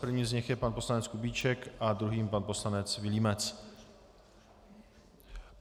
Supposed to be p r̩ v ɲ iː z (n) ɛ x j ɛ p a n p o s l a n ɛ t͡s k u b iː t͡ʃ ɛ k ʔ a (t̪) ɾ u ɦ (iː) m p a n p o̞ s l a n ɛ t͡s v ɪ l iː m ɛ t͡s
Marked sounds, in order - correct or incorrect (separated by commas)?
incorrect, incorrect, correct